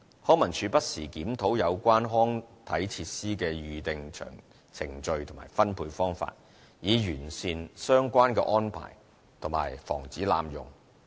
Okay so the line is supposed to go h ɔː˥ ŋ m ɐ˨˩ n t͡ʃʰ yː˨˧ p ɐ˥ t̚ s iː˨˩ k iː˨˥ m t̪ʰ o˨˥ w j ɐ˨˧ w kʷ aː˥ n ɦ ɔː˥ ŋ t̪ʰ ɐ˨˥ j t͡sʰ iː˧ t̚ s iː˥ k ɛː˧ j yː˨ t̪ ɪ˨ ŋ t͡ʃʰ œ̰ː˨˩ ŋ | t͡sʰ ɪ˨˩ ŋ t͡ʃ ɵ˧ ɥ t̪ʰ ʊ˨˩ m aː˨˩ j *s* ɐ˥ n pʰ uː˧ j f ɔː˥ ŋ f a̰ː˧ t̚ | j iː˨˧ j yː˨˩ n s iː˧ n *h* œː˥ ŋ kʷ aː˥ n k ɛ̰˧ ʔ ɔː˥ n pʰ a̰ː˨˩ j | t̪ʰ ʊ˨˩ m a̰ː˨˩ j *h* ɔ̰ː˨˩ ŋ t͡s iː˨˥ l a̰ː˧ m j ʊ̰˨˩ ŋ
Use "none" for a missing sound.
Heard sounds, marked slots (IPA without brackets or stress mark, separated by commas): f, s, f